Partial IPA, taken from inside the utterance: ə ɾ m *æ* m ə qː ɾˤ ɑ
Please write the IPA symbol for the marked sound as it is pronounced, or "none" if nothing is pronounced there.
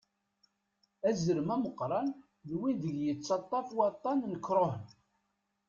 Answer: æ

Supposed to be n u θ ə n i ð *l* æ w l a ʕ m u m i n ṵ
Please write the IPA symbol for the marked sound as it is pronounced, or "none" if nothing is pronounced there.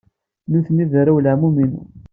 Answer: ɾ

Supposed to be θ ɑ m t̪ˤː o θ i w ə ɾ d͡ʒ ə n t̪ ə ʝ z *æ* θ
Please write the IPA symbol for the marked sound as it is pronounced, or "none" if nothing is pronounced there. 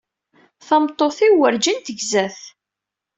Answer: æ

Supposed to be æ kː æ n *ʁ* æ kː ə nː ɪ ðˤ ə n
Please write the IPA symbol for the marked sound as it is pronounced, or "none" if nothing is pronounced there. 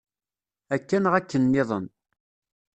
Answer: ʁ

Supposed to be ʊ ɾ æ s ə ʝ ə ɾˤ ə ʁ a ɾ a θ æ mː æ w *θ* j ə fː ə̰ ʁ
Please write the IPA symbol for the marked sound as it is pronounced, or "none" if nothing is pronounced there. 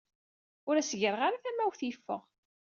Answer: θ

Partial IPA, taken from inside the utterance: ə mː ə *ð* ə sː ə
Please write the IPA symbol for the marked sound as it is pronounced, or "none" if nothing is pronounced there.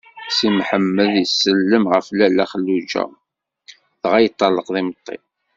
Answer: ð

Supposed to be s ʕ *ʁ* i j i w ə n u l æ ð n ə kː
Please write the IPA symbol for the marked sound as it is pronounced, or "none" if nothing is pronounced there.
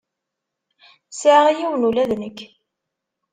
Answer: ʁ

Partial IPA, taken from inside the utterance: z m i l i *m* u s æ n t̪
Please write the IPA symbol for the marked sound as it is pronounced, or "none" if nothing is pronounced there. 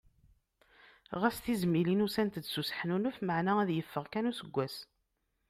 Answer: n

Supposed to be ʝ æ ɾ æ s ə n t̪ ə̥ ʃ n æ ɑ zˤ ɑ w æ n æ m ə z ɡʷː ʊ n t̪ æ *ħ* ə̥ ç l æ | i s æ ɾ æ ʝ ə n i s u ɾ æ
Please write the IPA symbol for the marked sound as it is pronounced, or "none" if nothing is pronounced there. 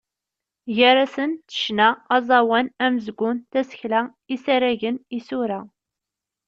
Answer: s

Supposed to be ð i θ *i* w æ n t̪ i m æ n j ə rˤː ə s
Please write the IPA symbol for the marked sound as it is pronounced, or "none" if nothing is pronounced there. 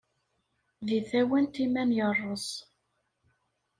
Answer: æ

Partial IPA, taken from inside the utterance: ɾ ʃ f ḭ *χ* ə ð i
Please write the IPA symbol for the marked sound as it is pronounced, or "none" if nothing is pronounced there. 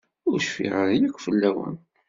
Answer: ʁ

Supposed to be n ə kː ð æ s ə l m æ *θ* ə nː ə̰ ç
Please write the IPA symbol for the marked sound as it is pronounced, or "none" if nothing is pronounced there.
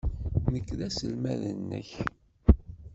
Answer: ð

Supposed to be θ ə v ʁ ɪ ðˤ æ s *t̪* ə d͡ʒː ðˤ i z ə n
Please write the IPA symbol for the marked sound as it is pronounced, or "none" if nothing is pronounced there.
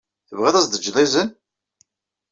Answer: d̪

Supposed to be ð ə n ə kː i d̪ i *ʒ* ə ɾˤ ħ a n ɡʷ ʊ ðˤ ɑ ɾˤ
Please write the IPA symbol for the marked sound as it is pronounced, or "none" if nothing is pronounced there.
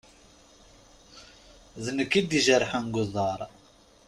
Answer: ʒ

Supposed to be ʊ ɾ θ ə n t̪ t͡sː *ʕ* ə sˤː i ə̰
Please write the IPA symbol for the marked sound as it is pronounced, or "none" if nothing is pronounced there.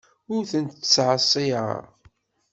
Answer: ʕ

